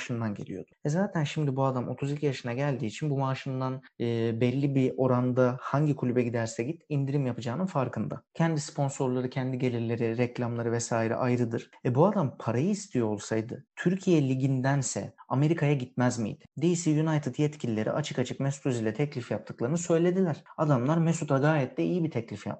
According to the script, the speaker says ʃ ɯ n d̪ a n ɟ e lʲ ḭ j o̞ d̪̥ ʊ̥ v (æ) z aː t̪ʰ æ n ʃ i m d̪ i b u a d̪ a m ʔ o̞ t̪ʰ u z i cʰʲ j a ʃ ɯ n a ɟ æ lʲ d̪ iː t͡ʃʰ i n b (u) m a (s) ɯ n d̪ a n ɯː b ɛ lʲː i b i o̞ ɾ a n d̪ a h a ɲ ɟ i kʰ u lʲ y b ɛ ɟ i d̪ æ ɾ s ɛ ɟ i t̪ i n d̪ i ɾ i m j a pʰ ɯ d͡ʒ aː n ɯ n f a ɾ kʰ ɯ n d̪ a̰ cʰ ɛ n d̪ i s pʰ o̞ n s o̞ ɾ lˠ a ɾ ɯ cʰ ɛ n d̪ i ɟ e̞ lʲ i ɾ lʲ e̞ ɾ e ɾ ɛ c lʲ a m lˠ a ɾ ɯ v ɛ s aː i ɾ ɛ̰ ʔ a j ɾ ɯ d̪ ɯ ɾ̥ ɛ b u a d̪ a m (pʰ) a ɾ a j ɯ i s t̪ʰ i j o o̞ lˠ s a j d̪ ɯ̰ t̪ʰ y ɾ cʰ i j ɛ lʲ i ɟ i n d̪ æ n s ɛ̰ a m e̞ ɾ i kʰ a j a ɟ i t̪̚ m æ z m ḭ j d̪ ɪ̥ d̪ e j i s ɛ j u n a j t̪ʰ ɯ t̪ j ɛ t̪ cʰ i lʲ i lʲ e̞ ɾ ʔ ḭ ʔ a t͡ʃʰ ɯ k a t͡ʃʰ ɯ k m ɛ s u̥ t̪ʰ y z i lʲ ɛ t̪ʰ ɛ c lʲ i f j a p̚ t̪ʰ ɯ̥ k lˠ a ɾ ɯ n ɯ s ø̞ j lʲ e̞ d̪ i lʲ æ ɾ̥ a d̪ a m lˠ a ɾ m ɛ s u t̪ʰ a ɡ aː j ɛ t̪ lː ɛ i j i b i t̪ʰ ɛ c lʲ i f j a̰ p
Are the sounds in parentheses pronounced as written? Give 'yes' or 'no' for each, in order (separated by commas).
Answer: no, yes, no, yes